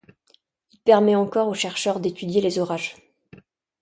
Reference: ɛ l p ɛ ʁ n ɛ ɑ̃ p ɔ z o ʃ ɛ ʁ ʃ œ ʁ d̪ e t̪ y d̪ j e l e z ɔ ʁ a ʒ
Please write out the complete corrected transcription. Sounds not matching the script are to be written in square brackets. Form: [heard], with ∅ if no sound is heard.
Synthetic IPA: [i] l p ɛ ʁ [m] ɛ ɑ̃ [k] ɔ [ʁ] o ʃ ɛ ʁ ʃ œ ʁ d̪ e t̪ y d̪ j e l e z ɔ ʁ a ʒ